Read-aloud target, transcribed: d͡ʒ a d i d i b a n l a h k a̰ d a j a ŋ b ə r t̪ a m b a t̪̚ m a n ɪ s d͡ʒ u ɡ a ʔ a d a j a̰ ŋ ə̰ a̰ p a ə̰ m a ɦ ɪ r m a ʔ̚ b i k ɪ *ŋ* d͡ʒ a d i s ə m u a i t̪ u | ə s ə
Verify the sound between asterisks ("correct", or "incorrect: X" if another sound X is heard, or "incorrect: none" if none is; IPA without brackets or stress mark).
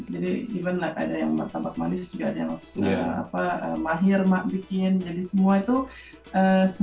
incorrect: n